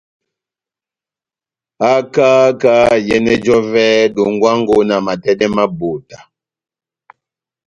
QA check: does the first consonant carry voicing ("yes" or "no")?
no